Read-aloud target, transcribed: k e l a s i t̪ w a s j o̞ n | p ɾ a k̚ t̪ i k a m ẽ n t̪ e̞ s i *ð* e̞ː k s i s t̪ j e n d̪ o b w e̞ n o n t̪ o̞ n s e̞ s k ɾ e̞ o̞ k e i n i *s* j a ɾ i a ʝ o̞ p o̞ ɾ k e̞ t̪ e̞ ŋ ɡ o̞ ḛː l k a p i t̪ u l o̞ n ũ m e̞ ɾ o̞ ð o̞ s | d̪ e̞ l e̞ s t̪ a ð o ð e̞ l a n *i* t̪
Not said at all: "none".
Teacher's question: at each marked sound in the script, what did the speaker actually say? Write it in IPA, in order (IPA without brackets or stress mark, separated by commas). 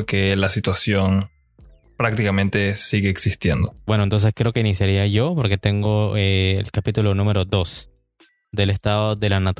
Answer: ɣ, s, a